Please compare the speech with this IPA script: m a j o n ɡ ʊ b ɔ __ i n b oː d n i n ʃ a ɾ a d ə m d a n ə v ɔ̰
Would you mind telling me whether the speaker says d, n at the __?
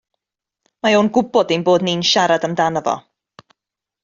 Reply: d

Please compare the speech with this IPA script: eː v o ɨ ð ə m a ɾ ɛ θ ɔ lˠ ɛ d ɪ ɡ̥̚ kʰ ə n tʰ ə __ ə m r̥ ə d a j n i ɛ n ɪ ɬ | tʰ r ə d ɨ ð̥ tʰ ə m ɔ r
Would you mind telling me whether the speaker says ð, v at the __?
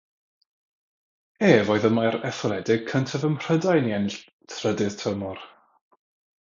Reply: v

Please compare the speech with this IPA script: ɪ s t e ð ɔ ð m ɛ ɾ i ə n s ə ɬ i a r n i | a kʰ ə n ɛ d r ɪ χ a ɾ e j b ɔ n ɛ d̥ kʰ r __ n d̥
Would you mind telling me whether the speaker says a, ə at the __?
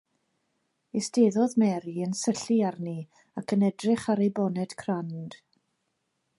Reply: a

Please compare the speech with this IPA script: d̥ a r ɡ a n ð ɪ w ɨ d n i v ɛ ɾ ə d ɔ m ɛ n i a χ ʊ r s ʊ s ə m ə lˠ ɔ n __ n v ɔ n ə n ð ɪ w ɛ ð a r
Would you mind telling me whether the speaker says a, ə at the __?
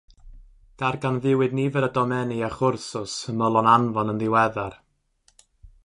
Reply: a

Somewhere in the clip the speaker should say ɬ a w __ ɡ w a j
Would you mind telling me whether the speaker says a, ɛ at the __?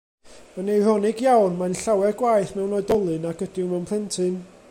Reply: ɛ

